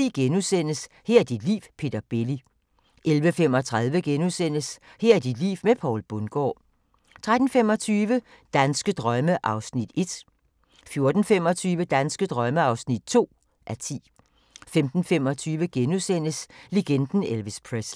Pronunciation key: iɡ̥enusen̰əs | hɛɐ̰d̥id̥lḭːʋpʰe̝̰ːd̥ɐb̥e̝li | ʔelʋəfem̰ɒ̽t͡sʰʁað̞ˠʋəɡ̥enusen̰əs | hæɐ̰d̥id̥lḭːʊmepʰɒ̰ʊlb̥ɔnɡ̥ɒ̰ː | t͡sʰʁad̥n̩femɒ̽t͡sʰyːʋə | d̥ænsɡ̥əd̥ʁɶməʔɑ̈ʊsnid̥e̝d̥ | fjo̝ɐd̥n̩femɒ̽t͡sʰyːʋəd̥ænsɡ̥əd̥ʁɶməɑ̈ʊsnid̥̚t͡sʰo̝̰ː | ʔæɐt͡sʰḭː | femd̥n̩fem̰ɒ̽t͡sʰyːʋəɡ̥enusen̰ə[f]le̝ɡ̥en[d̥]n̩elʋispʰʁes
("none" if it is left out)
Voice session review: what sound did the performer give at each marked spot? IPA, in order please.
s, d̥

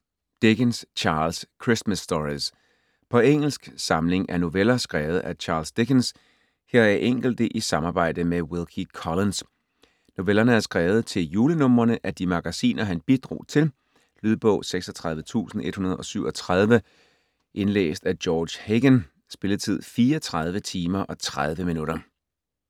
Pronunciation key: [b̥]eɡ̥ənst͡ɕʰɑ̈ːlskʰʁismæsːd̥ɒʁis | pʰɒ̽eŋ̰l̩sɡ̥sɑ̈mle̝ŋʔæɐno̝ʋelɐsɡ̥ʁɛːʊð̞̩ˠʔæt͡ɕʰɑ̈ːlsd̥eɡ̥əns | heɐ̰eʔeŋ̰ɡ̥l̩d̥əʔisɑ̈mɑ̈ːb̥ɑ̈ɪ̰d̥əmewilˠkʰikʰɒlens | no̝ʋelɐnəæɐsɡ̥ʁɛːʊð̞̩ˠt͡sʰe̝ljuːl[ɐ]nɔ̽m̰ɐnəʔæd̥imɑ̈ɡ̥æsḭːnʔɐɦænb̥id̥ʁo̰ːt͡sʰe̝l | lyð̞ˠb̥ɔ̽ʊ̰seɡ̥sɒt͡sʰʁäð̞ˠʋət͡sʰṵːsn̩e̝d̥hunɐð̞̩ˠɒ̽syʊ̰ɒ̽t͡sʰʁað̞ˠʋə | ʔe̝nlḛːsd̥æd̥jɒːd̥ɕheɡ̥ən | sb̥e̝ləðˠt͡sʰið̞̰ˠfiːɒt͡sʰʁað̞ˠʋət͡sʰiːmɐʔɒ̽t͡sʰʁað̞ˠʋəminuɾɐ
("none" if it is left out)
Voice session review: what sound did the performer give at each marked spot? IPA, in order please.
d̥, ə

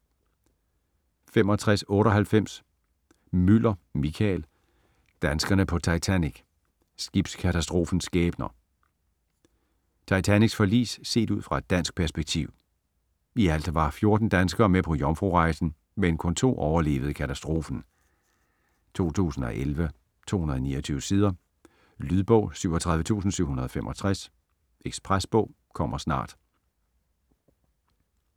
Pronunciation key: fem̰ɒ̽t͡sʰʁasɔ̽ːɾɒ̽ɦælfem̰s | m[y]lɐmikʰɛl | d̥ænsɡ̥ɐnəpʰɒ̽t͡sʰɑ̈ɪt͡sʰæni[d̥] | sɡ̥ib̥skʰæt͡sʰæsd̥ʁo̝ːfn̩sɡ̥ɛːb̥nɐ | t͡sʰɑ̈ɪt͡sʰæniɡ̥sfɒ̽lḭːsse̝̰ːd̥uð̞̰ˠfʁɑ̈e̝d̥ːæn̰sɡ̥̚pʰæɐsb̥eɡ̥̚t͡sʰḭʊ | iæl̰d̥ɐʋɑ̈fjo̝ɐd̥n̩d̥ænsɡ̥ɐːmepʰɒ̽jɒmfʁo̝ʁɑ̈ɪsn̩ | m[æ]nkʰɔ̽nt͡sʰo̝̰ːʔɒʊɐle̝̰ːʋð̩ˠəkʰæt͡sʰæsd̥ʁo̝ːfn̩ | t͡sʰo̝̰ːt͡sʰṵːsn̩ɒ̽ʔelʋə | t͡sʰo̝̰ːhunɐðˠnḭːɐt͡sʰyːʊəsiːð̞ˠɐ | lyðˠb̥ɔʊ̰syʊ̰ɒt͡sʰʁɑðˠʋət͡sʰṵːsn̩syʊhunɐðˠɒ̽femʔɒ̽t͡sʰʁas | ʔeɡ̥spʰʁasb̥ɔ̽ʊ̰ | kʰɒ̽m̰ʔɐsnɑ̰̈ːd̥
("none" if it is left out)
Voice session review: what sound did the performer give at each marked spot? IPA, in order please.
y, ɡ̥, e

